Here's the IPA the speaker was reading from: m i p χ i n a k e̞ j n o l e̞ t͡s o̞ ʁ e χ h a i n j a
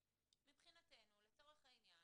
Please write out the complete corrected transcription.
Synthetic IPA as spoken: m i p χ i n a t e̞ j n u l e̞ t͡s o̞ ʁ e χ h a i n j a

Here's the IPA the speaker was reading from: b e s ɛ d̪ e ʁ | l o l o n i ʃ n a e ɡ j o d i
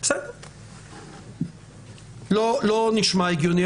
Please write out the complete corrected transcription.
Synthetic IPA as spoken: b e s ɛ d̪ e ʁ | l o l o n i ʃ m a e ɡ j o n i

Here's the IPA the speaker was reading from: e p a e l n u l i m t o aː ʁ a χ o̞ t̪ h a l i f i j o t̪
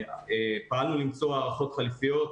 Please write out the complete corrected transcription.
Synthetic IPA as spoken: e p a a l n u l i m t͡s o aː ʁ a χ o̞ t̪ χ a l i f i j o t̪

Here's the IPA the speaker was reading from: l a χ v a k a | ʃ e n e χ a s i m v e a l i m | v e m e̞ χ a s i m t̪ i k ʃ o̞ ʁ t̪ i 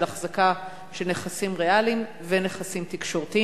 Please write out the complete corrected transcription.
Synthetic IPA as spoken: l a χ z a k a | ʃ e n e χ a s i m ʁ e a l i m | v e n e̞ χ a s i m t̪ i k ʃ o̞ ʁ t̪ i

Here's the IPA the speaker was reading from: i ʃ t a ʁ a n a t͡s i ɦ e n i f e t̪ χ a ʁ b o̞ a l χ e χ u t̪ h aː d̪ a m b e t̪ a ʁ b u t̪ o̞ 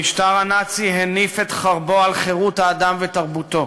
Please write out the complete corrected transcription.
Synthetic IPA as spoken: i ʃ t a ʁ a n a t͡s i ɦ e n i f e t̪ χ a ʁ b o̞ a l χ e ʁ u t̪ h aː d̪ a m v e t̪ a ʁ b u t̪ o̞

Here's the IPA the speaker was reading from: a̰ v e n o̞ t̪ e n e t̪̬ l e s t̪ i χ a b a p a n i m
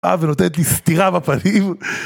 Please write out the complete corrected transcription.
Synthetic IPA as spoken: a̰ v e n o̞ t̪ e n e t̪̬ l i s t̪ i ʁ a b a p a n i m

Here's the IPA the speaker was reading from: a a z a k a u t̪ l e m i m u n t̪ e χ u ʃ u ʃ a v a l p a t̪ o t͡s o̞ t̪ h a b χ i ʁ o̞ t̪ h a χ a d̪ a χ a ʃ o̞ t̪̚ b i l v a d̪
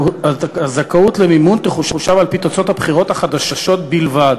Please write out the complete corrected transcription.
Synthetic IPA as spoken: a a z a k a u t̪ l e m i m u n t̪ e χ u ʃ u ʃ a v a l p i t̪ o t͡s o̞ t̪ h a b χ i ʁ o̞ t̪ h a χ a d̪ a ʃ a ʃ o̞ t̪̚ b i l v a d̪

